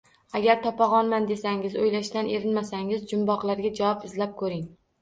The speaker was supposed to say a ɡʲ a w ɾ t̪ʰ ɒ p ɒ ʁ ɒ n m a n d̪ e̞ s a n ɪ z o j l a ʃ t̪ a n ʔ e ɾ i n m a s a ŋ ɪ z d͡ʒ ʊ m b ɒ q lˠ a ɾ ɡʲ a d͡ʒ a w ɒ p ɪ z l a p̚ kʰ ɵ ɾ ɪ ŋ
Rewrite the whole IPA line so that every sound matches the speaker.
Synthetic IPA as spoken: a ɡʲ a ɾ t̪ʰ ɒ p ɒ ʁ ɒ n m a n d̪ e̞ s a ŋ ɪ z o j l a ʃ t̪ a n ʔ e ɾ ɪ n m a s a ŋ ɪ z d͡ʒ ʊ m b ɒ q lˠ a ɾ ɡʲ a d͡ʒ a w ɒ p ɪ z l a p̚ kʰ ɵ ɾ ɪ ŋ